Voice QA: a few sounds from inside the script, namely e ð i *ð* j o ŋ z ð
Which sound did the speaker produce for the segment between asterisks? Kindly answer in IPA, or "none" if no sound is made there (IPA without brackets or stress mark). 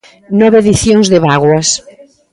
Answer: θ